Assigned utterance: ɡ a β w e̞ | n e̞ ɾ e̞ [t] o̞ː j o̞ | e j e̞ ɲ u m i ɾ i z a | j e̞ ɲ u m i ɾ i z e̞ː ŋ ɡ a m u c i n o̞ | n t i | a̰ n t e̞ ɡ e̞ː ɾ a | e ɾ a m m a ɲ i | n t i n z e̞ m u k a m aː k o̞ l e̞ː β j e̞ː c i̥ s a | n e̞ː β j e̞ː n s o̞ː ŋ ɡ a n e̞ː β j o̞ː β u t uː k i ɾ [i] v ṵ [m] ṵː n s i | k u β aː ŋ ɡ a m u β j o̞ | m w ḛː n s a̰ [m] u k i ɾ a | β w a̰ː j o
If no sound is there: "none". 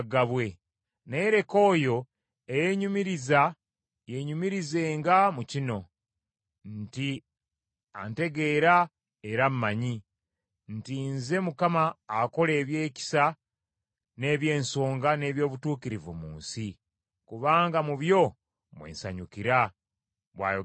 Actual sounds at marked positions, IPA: k, i, m, ɲ

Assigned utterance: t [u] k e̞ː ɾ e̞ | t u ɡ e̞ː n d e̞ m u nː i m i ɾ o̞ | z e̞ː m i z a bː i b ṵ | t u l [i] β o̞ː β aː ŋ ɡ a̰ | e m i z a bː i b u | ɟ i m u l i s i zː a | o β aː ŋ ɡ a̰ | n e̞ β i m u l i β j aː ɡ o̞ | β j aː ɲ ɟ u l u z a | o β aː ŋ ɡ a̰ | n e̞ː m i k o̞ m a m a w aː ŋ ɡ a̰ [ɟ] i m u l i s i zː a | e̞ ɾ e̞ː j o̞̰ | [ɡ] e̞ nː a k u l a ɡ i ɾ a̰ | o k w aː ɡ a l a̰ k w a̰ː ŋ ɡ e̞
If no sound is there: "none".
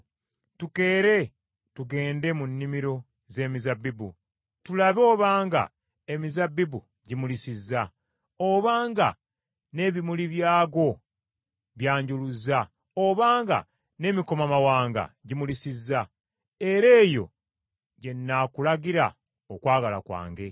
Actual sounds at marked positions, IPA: u, a, ɟ, ɟ

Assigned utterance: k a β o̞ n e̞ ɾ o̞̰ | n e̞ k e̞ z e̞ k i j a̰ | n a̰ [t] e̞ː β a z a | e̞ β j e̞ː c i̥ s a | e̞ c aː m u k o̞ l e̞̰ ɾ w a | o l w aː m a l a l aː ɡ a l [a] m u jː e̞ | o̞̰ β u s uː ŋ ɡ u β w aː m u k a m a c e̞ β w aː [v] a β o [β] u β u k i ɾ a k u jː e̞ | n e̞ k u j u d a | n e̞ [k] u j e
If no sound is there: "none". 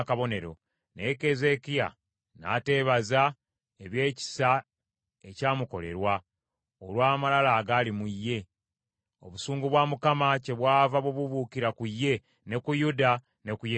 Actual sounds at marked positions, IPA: t, i, v, β, k

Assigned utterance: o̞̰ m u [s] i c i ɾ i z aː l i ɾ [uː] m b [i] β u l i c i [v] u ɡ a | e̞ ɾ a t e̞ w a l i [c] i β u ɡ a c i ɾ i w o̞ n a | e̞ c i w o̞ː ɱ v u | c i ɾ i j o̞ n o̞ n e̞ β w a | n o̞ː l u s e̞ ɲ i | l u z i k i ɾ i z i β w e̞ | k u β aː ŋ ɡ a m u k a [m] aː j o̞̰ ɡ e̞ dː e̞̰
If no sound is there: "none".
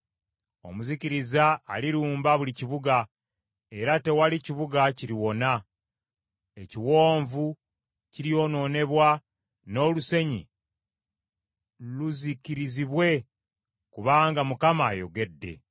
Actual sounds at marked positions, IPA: z, uː, a, β, c, m

